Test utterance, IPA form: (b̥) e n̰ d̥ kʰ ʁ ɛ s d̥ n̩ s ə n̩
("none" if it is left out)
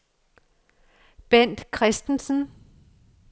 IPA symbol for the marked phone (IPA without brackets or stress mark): b̥